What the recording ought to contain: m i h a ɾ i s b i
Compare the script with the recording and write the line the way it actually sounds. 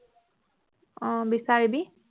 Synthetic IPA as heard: b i s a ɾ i b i